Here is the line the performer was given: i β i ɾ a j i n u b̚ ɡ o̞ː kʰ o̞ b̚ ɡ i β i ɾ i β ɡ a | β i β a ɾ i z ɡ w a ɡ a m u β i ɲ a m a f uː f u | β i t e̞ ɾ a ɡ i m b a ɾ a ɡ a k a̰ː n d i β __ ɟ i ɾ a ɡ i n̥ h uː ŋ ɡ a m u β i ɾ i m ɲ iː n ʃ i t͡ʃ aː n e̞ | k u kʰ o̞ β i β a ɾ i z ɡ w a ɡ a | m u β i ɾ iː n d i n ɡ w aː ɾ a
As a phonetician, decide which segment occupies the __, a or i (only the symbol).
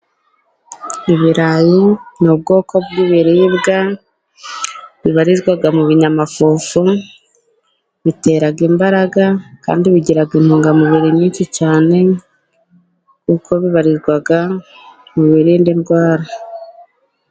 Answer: i